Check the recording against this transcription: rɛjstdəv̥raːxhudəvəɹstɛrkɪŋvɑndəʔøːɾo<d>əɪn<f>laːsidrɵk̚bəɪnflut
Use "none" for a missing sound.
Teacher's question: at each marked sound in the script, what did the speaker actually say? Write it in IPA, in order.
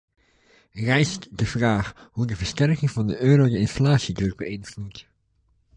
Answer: d, f

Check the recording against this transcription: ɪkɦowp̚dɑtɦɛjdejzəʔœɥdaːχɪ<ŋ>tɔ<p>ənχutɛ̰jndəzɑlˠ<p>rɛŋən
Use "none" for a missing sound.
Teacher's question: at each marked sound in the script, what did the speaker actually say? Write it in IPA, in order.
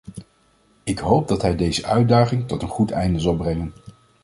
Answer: ŋ, t, b

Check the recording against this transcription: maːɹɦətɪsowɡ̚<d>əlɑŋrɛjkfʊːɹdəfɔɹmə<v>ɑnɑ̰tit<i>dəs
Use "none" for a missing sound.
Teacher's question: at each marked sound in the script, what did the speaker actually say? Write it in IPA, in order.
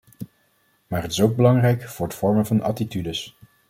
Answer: b, v, y

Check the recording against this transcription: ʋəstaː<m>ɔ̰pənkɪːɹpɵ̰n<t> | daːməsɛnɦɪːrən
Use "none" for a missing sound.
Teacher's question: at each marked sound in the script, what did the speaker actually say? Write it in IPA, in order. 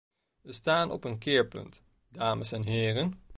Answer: n, t

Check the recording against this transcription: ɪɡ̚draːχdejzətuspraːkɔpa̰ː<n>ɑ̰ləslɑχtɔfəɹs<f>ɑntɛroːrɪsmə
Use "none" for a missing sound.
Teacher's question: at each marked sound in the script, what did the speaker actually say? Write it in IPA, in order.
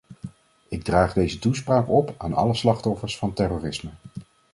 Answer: n, f

